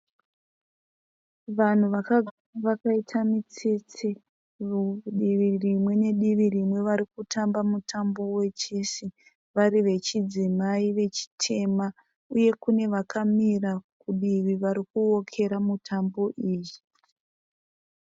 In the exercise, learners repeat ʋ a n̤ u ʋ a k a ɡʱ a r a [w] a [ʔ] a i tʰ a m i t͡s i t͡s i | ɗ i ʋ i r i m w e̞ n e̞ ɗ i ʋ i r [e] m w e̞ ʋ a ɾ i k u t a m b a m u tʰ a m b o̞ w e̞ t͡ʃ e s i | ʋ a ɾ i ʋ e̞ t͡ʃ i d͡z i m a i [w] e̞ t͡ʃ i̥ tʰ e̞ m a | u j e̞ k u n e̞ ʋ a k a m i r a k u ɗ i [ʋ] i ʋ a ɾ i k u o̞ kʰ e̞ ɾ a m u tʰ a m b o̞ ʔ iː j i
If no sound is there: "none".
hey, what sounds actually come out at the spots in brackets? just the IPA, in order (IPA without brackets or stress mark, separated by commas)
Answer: ʋ, k, i, ʋ, ʋ